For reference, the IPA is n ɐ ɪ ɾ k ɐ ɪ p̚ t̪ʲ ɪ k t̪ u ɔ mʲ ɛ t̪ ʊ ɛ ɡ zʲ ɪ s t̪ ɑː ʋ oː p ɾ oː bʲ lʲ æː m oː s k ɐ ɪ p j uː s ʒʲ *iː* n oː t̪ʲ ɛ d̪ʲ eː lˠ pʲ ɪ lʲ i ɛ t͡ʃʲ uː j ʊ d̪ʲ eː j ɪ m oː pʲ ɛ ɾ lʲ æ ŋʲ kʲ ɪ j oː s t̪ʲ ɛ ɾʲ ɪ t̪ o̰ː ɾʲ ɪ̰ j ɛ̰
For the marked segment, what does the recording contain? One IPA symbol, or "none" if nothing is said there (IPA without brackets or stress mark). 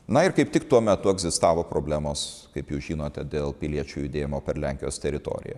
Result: iː